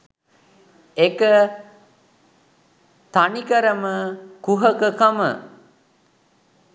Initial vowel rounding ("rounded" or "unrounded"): unrounded